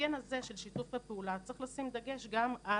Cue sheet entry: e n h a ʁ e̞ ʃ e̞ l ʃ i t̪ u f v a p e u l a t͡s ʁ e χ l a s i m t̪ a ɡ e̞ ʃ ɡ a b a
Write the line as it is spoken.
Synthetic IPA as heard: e n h a z e̞ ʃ e̞ l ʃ i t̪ u f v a p e u l a t͡s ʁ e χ l a s i m d̪ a ɡ e̞ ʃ ɡ a m a